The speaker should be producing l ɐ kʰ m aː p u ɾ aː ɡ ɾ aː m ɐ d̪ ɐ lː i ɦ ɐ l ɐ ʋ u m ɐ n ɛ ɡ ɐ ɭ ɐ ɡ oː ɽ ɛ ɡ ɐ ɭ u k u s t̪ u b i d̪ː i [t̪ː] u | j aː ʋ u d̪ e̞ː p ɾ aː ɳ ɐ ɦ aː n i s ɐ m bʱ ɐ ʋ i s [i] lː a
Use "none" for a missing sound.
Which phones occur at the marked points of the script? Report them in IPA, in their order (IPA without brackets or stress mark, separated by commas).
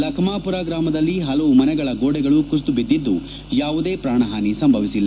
d̪ː, i